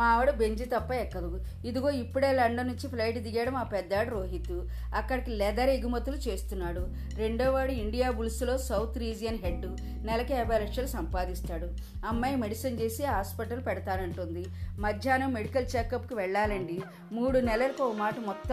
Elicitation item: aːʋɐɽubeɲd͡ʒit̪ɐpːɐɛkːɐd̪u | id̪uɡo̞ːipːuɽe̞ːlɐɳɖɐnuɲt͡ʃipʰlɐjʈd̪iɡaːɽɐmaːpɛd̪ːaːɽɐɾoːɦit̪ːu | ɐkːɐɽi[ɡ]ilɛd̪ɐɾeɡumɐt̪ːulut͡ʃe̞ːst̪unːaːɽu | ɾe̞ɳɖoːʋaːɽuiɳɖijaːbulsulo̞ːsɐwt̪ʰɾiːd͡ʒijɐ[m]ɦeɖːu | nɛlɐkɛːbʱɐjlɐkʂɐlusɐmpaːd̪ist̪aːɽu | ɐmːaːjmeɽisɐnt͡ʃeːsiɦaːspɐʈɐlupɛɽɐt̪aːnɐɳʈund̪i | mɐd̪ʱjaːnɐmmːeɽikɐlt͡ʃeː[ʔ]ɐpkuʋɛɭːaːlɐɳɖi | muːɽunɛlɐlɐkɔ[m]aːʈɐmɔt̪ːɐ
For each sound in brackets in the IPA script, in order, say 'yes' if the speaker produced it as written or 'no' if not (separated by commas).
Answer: no, no, no, yes